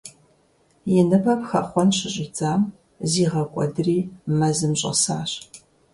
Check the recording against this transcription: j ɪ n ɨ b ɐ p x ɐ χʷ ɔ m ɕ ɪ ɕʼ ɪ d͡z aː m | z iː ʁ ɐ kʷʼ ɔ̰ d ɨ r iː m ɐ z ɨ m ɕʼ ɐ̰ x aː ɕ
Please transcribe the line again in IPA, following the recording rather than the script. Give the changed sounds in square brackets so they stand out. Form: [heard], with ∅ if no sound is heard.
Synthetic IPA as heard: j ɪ n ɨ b ɐ p x ɐ χʷ ɔ [n] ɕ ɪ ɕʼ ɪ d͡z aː m | z iː ʁ ɐ kʷʼ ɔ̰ d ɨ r iː m ɐ z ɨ m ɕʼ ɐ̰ [s] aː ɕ